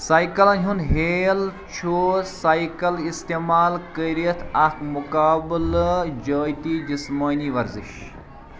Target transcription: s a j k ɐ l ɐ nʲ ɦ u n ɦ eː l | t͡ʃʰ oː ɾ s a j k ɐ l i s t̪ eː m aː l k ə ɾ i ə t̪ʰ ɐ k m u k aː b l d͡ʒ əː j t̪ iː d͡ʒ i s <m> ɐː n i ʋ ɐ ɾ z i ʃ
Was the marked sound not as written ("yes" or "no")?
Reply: no